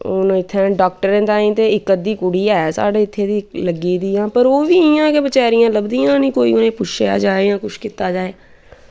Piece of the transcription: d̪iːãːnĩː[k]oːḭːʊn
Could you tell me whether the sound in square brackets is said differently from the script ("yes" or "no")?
no